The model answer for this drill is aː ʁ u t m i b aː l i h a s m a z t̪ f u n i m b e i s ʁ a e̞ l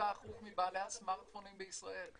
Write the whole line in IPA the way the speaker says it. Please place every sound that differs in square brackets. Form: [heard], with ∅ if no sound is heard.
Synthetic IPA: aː [χ] u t m i b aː l [e] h a s m a [ʁ] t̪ f [o] n i m b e i s ʁ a e̞ l